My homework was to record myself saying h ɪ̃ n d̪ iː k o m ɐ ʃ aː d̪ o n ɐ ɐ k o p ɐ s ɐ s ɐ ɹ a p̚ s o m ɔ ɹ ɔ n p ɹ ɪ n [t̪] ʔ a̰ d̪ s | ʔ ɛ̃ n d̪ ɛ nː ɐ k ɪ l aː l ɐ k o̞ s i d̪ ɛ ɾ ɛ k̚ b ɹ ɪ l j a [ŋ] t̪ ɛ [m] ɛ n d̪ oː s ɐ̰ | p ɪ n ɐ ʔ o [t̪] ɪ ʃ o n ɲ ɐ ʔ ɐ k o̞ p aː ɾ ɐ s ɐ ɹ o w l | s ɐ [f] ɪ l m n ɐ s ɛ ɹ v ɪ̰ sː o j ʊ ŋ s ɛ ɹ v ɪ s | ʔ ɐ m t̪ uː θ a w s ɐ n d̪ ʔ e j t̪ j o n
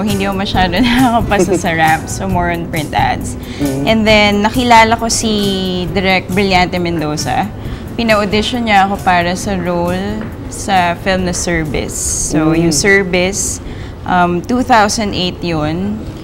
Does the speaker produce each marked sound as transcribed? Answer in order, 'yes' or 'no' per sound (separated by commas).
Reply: yes, no, yes, no, yes